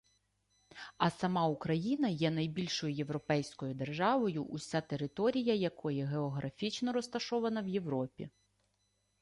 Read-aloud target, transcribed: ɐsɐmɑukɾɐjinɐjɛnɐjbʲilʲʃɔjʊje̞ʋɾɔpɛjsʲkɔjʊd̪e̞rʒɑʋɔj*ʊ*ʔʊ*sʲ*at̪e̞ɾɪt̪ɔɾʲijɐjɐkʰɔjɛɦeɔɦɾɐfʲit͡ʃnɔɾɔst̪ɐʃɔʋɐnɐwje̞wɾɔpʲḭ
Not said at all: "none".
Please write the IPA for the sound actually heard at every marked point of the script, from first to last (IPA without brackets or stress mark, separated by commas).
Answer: ʊ, sʲ